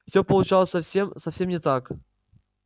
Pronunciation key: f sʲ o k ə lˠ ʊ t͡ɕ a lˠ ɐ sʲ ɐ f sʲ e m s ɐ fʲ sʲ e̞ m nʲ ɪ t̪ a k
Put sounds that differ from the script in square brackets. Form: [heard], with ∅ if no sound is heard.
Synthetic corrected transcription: f sʲ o [p] ə lˠ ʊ t͡ɕ a lˠ [ə] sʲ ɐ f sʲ e m s ɐ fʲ sʲ e̞ m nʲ ɪ t̪ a k